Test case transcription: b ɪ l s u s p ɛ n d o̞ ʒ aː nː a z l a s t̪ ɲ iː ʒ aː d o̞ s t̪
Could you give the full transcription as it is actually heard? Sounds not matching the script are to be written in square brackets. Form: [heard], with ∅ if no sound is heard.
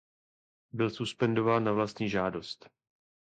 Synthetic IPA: b ɪ l s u s p ɛ n d o̞ [v] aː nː a [v] l a s t̪ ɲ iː ʒ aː d o̞ s t̪